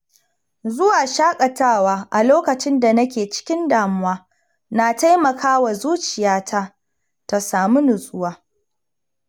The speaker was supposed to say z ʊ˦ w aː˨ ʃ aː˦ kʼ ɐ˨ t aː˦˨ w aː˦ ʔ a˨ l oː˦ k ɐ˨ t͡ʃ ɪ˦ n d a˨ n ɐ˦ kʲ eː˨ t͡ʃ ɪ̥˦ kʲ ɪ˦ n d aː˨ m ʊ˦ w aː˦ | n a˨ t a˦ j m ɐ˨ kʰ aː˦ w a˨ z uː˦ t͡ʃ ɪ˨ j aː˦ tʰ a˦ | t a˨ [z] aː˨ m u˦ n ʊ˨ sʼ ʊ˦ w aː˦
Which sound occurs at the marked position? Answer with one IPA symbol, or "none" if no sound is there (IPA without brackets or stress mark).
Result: s